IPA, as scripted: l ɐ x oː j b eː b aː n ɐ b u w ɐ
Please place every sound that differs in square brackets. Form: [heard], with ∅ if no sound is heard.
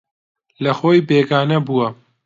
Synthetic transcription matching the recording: l ɐ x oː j b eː [ɡ] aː n ɐ b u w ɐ

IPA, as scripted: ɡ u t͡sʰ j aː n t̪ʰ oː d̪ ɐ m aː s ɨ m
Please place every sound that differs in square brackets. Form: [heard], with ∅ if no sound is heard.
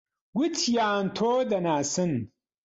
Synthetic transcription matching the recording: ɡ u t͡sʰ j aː n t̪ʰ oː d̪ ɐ [n] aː s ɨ [n]

